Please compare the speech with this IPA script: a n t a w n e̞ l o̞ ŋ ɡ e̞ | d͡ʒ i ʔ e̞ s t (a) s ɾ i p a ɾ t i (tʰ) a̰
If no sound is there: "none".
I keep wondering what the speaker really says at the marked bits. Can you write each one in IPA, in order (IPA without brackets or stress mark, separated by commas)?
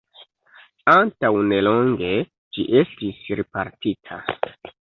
i, tʰ